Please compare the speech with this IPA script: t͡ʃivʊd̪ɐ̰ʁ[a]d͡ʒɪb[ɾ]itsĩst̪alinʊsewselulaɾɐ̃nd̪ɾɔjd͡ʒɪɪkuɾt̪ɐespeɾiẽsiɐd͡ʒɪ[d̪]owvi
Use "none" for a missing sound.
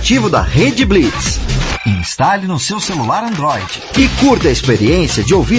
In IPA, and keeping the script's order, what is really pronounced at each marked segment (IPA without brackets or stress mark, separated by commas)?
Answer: e, l, none